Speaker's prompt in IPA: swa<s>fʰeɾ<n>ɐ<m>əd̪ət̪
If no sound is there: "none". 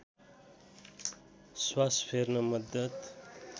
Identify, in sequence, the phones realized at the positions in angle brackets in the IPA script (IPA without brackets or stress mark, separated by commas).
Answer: s, n, m